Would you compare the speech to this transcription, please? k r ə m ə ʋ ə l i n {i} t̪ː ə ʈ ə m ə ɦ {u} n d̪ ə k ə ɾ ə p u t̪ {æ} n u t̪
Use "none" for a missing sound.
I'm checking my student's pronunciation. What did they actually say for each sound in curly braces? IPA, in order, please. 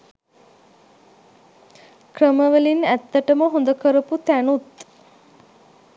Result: æ, o, æ

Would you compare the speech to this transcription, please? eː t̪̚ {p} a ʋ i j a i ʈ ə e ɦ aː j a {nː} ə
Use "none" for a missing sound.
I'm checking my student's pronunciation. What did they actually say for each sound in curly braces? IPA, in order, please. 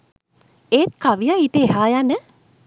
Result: k, n

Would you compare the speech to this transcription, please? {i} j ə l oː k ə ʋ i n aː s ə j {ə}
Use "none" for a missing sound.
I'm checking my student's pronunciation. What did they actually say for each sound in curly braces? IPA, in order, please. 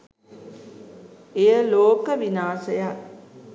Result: e, a

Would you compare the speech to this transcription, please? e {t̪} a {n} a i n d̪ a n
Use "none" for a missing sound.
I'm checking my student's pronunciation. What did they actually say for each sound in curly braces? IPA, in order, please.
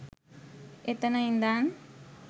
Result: t̪, n

